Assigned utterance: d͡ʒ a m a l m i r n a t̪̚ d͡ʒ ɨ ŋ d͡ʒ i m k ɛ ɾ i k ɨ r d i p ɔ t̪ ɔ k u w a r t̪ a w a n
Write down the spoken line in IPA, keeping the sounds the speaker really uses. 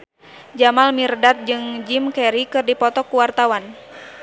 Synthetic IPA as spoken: d͡ʒ a m a l m i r d a t̪̚ d͡ʒ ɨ ŋ d͡ʒ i m k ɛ ɾ i k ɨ r d i p ɔ t̪ ɔ k u w a r t̪ a w a n